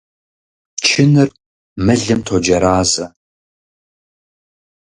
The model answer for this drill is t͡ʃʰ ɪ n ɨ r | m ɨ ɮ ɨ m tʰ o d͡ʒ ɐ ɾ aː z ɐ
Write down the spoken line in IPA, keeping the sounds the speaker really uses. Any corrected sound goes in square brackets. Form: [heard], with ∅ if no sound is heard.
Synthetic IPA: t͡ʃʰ ɪ n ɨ r | m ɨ ɮ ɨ m tʰ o d͡ʒ ɐ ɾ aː z ɐ